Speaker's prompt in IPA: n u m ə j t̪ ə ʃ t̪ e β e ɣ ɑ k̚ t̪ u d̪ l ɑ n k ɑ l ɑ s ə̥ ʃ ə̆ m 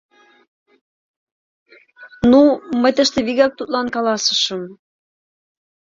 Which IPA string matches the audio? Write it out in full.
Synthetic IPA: n u m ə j t̪ ə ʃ t̪ e β i ɣ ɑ k̚ t̪ u t̪ l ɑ n k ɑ l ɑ s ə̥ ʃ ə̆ m

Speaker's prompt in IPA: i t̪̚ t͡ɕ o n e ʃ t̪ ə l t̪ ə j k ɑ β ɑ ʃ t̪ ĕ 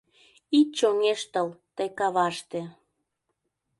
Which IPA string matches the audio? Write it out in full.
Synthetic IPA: i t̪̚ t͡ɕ o ŋ e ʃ t̪ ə l t̪ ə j k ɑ β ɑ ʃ t̪ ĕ

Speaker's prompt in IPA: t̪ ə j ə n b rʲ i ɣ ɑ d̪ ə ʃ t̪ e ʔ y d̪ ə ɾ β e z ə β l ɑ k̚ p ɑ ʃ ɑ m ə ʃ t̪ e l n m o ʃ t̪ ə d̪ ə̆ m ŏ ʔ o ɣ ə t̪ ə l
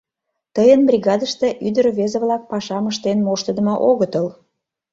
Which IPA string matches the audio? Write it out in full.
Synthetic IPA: t̪ ə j ə n b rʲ i ɣ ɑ d̪ ə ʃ t̪ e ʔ y d̪ ə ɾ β e z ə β l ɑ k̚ p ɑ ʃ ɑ m ə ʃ t̪ e n m o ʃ t̪ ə d̪ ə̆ m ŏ ʔ o ɣ ə t̪ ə l

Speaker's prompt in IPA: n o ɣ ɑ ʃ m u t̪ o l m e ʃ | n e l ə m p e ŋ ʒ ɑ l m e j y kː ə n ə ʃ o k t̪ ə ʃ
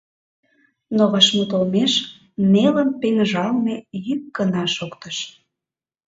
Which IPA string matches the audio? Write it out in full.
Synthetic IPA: n o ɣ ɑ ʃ m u t̪ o l m e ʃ | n e l ə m p e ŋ ʒ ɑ l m e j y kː ə n ɑ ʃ o k t̪ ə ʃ

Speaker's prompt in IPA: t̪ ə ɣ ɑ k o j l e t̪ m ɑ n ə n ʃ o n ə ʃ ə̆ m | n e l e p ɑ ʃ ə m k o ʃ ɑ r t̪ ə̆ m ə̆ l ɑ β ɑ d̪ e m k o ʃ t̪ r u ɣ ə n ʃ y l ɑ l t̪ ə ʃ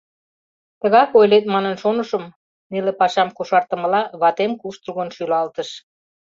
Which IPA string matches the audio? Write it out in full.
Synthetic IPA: t̪ ə ɣ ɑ k o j l e t̪ m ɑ n ə n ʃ o n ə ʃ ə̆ m | n e l e p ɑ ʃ ɑ m k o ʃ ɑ r t̪ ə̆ m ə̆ l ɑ β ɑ t̪ e m k u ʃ t̪ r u ɣ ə n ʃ y l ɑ l t̪ ə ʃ

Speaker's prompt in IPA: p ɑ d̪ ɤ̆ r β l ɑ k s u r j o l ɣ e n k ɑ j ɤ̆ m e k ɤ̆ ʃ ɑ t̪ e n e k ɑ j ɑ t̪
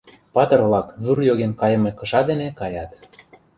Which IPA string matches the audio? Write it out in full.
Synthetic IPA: p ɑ t̪ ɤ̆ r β l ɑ k z u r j o ɣ e n k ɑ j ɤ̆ m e k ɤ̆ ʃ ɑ d̪ e n e k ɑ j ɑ t̪

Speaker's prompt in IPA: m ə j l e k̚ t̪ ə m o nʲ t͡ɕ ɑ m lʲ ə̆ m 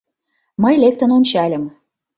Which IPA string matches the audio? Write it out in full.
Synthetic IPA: m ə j l e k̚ t̪ ə n o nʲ t͡ɕ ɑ lʲ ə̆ m

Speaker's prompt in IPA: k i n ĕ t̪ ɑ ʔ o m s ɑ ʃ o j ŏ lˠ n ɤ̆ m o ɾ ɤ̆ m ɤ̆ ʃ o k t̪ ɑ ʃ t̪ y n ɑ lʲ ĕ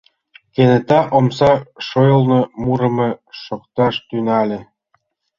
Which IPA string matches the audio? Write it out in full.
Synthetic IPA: k e n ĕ t̪ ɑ ʔ o m s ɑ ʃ o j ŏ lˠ n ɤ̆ m u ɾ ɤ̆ m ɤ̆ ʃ o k t̪ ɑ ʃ t̪ y n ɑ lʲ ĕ

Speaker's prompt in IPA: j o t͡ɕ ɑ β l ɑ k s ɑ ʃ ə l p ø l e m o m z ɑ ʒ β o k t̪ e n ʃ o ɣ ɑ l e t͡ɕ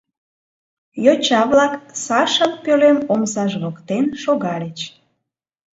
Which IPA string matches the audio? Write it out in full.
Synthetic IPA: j o t͡ɕ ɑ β l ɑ k s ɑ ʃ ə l p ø l e m o m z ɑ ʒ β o k t̪ e n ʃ o ɣ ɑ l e t͡ɕ

